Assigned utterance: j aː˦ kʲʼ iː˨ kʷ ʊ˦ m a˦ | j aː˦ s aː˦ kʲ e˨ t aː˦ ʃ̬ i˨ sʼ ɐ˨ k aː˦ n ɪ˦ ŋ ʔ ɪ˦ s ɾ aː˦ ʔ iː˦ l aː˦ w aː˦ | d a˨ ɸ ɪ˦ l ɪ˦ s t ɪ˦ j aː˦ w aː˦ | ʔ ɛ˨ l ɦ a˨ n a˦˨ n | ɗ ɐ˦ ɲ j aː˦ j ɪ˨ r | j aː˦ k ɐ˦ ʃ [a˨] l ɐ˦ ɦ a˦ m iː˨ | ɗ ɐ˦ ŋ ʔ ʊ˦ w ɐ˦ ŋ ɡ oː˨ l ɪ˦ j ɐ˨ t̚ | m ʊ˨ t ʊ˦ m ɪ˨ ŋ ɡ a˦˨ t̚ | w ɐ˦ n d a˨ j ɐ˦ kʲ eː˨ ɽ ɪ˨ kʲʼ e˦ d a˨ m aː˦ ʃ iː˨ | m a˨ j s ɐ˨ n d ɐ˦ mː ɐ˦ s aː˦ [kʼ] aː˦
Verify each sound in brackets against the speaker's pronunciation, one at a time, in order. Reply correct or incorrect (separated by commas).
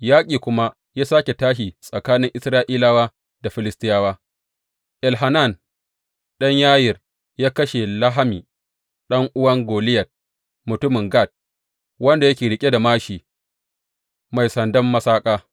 incorrect, correct